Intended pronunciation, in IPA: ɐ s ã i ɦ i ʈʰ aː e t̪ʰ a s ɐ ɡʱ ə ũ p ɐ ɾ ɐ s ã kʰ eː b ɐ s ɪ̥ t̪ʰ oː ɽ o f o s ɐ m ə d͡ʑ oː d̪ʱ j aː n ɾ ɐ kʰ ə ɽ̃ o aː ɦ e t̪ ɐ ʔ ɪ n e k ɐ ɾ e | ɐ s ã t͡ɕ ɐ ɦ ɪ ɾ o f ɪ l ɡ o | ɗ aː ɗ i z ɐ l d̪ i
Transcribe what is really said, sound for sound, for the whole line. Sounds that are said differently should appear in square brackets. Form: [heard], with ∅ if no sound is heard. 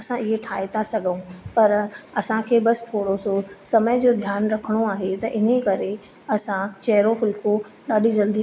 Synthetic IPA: ɐ s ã [ɪ] ɦ [e] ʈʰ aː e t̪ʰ a s ɐ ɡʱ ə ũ p ɐ ɾ ɐ s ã kʰ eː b ɐ s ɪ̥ t̪ʰ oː ɽ o [s] o s ɐ m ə d͡ʑ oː d̪ʱ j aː n ɾ ɐ kʰ ə ɽ̃ o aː ɦ e t̪ ɐ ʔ ɪ n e k ɐ ɾ e | ɐ s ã t͡ɕ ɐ ɦ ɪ ɾ o f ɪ l [k] o | ɗ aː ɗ i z ɐ l d̪ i